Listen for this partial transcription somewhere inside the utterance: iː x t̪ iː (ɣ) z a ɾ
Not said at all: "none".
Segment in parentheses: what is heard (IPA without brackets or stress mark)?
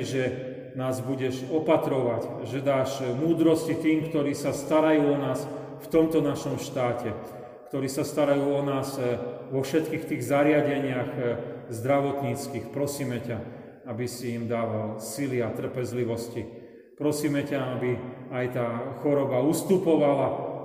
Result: ɣ